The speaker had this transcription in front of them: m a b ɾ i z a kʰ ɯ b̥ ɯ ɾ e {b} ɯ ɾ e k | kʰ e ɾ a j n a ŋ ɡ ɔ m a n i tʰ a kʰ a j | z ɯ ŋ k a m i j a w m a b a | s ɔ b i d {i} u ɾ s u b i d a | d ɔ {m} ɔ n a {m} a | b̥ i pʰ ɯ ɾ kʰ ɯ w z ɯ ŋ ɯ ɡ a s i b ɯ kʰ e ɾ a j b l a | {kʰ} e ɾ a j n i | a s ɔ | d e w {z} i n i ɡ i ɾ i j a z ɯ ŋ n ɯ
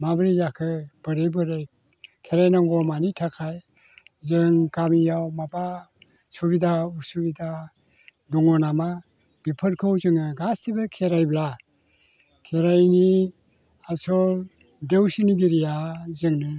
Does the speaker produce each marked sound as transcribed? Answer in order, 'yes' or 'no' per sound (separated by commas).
yes, no, no, yes, yes, no